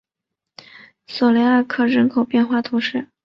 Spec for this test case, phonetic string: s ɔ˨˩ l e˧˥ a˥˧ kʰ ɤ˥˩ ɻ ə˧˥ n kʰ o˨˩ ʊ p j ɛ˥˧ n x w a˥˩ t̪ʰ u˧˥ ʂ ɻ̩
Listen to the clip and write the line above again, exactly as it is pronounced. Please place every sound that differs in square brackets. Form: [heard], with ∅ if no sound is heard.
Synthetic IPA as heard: s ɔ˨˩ l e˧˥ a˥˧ kʰ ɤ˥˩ ɻ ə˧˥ n kʰ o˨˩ ʊ p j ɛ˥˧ n x w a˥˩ t̪ʰ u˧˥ ʂ ɻ̩